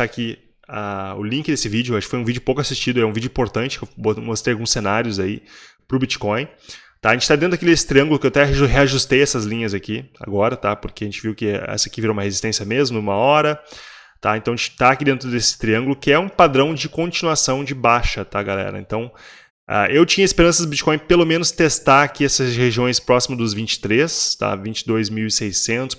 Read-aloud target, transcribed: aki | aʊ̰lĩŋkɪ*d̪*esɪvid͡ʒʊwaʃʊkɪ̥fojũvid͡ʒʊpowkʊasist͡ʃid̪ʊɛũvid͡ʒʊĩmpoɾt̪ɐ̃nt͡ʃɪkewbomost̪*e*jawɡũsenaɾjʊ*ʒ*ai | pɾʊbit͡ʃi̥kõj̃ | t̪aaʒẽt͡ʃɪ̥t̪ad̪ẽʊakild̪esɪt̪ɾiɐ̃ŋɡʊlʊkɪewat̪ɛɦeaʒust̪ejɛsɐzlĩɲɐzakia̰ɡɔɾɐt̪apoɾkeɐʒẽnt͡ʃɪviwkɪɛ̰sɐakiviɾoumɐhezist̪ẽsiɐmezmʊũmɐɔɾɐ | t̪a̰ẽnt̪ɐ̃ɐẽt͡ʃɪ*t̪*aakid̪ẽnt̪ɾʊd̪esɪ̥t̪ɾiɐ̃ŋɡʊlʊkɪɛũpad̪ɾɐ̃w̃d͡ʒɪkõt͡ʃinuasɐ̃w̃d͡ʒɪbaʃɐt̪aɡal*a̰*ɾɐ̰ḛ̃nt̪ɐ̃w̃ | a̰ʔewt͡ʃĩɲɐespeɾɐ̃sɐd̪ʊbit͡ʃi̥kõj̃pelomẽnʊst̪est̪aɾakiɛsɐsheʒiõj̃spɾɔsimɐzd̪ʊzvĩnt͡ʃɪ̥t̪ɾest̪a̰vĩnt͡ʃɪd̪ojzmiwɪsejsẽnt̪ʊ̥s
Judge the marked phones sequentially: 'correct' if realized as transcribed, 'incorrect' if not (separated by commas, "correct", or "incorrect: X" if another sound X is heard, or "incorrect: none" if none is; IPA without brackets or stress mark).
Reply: correct, correct, incorrect: z, correct, incorrect: ɛ̰